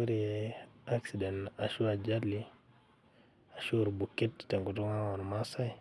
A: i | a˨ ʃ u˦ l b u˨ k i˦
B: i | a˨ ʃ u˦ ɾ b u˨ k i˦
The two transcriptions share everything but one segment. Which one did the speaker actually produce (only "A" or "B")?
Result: B